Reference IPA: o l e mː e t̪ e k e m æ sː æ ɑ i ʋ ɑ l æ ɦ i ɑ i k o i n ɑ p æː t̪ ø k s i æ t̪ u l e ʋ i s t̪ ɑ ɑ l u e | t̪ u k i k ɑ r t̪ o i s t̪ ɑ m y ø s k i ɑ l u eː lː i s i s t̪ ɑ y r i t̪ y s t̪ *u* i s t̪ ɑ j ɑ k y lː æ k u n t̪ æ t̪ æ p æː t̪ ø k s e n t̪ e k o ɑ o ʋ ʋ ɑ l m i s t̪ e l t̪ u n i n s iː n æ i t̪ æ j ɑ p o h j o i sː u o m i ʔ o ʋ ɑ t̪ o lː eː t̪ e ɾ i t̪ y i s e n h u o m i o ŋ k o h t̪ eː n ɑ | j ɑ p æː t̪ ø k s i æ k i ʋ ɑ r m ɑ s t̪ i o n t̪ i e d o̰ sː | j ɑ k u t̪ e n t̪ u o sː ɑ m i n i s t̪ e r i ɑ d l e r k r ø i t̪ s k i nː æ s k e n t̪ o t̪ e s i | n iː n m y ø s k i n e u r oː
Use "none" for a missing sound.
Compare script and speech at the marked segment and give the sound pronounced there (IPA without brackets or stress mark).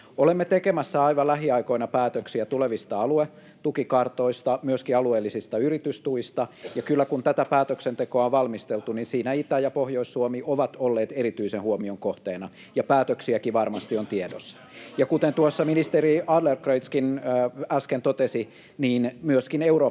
u